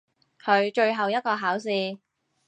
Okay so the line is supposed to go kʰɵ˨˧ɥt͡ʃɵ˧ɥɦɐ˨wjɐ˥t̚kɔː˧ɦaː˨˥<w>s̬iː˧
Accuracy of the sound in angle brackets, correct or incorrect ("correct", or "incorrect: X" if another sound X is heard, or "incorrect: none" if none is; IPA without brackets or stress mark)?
correct